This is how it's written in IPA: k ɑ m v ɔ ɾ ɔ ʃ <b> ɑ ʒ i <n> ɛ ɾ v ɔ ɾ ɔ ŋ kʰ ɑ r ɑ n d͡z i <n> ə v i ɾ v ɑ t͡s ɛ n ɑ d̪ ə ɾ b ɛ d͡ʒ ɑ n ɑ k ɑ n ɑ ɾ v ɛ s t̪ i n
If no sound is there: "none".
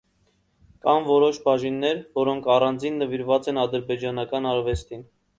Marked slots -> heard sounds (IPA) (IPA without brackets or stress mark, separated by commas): b, nː, nː